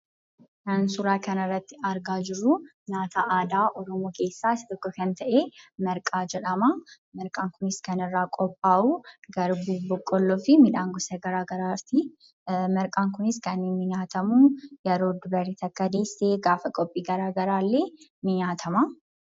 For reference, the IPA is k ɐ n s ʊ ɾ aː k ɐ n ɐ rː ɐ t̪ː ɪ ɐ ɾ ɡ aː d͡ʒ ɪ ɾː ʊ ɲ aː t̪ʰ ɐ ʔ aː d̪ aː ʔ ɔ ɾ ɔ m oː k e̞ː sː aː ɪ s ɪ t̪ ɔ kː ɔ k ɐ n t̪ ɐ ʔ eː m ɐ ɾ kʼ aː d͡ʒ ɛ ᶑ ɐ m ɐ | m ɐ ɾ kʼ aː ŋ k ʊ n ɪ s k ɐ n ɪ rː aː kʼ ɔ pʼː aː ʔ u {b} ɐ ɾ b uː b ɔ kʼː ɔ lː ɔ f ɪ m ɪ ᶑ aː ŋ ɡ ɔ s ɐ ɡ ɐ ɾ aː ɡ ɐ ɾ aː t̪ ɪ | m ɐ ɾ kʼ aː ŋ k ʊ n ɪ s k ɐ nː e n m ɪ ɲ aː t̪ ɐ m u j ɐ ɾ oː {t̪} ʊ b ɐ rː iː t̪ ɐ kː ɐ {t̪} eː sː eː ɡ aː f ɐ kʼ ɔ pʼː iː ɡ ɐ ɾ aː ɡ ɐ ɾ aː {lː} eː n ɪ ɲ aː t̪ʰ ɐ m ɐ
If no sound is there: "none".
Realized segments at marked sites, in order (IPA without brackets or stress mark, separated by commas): ɡ, d̪, d̪, lː